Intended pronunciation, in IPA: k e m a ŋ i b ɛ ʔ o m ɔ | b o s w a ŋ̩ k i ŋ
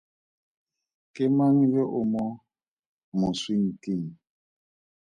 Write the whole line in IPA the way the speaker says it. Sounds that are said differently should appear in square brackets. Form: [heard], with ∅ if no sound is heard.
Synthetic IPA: k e m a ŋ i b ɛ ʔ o m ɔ | [m] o s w [i] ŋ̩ k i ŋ